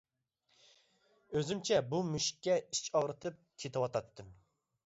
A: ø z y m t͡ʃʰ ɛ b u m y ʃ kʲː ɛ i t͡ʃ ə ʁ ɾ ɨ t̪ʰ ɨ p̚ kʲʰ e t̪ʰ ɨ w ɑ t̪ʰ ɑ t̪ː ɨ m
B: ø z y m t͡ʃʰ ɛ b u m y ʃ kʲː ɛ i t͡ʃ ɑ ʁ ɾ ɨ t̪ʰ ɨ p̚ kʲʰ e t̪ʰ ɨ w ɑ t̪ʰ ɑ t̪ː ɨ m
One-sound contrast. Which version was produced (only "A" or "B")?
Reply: B